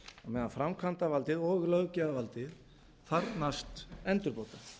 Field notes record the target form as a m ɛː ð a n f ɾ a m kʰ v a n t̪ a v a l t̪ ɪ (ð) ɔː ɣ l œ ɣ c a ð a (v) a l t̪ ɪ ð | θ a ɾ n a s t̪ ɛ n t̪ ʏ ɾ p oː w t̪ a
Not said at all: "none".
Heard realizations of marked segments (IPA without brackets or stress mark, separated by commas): ð, v